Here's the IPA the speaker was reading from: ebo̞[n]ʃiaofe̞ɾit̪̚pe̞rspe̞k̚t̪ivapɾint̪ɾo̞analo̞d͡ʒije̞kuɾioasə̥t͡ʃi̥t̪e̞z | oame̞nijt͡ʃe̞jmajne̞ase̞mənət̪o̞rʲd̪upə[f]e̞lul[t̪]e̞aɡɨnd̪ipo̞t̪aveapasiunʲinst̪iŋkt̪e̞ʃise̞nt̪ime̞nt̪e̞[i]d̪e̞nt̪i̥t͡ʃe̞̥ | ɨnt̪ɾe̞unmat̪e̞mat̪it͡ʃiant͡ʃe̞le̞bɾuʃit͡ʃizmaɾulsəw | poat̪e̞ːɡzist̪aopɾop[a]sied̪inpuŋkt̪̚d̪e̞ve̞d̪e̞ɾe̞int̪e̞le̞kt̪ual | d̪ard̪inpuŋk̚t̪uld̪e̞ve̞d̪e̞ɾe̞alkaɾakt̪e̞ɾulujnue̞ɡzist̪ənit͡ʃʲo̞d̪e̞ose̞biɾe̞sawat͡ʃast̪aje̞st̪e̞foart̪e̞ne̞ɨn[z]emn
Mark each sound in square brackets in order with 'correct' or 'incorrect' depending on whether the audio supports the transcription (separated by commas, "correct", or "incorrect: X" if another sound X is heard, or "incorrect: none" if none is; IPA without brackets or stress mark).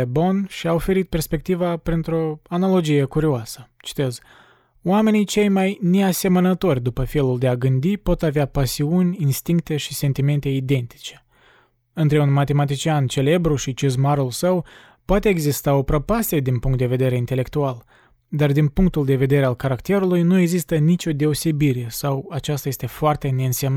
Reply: correct, correct, incorrect: d̪, correct, correct, incorrect: s